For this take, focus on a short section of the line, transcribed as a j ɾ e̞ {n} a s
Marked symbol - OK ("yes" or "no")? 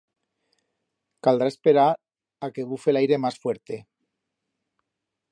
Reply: no